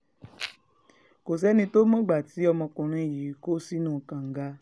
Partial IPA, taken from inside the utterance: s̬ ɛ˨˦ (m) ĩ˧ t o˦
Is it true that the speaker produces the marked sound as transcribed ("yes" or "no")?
no